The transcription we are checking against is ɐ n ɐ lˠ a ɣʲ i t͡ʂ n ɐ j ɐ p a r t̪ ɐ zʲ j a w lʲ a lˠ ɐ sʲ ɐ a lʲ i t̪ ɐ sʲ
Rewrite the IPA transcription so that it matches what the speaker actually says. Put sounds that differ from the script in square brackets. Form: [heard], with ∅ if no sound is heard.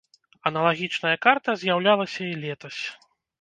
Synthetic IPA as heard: ɐ n ɐ lˠ a ɣʲ i t͡ʂ n ɐ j ɐ [k] a r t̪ ɐ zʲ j a w lʲ a lˠ ɐ sʲ ɐ [i] lʲ [ɛ] t̪ ɐ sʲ